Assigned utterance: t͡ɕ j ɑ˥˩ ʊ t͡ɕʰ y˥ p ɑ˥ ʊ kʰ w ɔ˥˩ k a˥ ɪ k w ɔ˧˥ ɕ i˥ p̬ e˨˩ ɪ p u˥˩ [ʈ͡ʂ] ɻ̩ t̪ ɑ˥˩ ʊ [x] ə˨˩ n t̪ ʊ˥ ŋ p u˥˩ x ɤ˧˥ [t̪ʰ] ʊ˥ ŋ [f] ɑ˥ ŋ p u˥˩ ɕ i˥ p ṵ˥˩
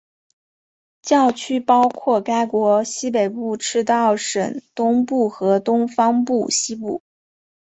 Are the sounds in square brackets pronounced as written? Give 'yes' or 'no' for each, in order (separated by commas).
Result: no, no, no, yes